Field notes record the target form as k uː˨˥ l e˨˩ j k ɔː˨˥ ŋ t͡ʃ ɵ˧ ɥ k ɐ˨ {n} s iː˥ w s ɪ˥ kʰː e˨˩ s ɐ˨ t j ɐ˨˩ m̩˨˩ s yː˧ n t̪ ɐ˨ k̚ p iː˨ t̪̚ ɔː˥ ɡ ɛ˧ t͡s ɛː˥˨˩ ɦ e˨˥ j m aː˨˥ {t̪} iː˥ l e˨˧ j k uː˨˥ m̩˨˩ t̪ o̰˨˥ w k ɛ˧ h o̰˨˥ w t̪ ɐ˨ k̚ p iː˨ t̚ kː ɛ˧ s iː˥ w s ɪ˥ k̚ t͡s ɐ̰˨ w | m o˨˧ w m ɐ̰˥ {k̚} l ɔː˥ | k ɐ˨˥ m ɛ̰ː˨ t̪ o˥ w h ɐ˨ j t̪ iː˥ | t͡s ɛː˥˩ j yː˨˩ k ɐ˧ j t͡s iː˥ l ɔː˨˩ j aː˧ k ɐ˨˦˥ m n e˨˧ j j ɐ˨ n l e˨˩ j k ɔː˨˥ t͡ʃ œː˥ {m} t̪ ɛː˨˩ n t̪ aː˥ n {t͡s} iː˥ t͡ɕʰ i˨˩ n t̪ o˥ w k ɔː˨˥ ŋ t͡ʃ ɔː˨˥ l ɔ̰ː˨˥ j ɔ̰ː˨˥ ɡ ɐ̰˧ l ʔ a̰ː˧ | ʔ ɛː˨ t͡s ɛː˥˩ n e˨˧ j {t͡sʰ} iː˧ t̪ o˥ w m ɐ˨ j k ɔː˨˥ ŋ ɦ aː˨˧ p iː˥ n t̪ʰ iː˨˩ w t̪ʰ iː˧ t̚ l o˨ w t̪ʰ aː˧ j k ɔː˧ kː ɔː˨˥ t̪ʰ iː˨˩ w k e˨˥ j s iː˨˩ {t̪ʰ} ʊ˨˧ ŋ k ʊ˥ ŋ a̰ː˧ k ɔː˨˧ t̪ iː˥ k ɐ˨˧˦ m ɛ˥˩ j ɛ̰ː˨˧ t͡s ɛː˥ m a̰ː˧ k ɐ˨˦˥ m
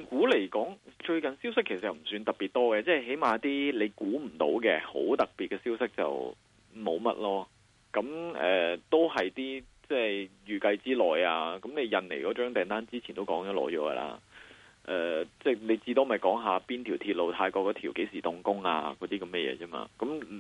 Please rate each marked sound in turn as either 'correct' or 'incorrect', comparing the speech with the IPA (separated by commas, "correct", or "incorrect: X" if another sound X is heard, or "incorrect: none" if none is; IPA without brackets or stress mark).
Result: correct, correct, incorrect: t̚, incorrect: ŋ, correct, incorrect: t͡s, incorrect: t̪